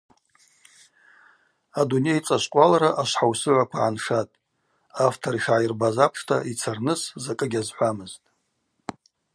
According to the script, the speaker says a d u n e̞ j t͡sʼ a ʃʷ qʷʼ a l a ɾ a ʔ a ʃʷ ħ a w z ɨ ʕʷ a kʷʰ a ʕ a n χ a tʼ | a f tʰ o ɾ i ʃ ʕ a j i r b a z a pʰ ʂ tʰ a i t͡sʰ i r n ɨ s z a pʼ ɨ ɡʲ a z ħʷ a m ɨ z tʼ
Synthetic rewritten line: a d u n e̞ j t͡sʼ a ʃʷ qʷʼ a l a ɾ a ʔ a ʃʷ ħ a w s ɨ ʕʷ a kʷʰ a ʕ a n ʂ a tʼ | a f tʰ o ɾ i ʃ ʕ a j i r b a z a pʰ ʂ tʰ a i t͡sʰ a r n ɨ s z a kʼ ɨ ɡʲ a z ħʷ a m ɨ z tʼ